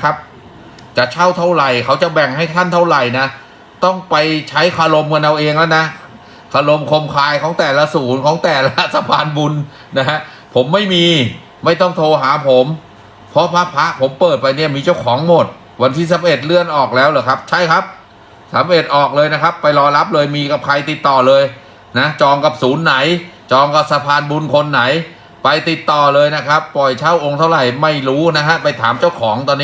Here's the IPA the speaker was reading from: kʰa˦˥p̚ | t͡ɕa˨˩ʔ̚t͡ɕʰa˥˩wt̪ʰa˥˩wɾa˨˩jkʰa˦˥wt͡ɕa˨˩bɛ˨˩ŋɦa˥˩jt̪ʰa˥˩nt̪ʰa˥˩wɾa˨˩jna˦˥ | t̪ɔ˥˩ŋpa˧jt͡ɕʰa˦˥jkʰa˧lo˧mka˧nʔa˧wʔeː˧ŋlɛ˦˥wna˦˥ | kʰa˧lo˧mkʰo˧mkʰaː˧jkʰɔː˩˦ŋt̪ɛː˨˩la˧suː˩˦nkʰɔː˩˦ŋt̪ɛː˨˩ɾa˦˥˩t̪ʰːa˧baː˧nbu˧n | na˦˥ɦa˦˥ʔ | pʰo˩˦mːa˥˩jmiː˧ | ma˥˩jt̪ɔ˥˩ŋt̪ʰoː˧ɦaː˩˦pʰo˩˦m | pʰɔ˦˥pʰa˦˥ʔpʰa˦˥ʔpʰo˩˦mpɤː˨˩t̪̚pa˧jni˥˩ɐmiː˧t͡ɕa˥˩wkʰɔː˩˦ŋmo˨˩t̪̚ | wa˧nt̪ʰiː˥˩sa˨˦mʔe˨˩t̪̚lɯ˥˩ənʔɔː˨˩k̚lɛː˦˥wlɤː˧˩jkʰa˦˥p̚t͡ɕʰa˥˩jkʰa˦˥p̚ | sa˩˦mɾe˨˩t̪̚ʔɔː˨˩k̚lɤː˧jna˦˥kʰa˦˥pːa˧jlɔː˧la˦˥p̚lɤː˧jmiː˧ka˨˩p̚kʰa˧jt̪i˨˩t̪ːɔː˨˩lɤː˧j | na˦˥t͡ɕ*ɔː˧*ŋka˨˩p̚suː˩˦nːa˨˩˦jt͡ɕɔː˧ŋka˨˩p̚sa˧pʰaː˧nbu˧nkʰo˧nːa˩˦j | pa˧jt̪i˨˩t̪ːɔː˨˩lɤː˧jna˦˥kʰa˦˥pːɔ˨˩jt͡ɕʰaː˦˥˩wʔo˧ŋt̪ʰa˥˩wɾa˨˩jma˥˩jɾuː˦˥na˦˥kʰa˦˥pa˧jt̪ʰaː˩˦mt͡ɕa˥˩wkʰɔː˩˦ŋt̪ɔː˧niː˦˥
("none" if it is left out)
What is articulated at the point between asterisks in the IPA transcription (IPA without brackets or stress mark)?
ɔː˧